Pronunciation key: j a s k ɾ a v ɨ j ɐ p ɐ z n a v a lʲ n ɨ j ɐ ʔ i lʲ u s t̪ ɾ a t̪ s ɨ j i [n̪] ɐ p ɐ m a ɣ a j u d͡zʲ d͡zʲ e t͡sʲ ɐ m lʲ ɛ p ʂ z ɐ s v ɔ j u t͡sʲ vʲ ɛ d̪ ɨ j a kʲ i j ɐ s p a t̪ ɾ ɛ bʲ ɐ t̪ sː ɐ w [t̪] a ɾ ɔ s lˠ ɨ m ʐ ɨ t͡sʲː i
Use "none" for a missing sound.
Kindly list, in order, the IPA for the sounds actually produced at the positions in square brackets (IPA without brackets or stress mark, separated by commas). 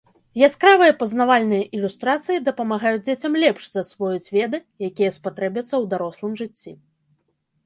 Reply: d̪, d̪